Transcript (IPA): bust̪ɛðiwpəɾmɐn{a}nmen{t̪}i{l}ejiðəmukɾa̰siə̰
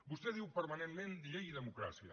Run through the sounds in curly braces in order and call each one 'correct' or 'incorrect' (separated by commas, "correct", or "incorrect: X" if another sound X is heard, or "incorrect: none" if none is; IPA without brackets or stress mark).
incorrect: e, incorrect: d̪, incorrect: ʎ